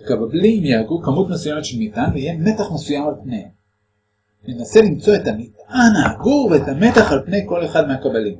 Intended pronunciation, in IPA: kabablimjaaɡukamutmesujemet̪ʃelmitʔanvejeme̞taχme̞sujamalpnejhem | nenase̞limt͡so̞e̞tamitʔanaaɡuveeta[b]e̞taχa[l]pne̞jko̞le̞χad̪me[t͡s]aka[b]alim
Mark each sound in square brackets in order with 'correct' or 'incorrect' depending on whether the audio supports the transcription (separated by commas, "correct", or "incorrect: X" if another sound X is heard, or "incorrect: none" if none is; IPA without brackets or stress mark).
incorrect: m, correct, incorrect: none, correct